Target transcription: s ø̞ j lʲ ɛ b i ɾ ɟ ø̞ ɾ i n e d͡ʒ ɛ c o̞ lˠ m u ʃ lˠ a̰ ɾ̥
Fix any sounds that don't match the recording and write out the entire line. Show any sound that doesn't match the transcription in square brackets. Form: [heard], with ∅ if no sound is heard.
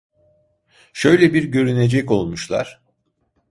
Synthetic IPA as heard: [ʃ] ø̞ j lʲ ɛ b i ɾ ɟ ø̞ ɾ [y] n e d͡ʒ ɛ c o̞ lˠ m u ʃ lˠ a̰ ɾ̥